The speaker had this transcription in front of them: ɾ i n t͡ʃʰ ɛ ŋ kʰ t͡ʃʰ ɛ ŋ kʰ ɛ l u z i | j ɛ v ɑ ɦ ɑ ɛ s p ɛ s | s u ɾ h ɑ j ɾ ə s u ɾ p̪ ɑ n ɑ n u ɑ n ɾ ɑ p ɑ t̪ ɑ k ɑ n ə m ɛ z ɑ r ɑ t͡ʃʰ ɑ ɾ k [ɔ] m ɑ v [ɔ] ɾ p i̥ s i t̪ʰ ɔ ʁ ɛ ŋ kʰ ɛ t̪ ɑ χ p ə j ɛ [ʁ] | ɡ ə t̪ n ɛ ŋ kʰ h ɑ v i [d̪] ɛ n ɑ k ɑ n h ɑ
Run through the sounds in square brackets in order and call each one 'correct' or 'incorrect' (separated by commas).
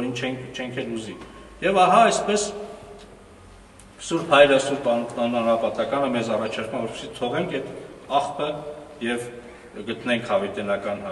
incorrect, correct, incorrect, incorrect